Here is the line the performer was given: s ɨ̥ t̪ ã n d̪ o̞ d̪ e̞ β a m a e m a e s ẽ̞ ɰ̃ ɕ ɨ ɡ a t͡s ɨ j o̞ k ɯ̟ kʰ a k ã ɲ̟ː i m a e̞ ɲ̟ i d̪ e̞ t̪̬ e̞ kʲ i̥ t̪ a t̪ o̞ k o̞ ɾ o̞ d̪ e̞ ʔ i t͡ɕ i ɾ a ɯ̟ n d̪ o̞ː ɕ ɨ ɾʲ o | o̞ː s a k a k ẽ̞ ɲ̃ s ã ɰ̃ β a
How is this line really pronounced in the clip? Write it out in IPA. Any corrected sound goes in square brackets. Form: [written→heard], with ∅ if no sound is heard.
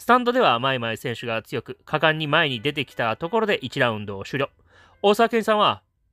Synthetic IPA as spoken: s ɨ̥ t̪ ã n d̪ o̞ d̪ e̞ β a m a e m a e s ẽ̞ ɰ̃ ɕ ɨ ɡ a t͡s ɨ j o̞ k ɯ̟ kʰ a k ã ɲ̟ː i m a e̞ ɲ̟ i d̪ e̞ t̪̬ e̞ kʲ i̥ t̪ a t̪ o̞ k o̞ ɾ o̞ d̪ e̞ ʔ i t͡ɕ i ɾ a [ɯ̟→ɯ̟̃] n d̪ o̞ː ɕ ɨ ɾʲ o | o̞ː s a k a k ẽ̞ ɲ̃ s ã ɰ̃ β a